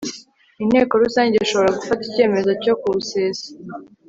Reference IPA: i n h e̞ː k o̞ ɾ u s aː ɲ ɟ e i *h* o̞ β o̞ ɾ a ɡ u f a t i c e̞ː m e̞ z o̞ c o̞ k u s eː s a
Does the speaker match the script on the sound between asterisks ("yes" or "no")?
no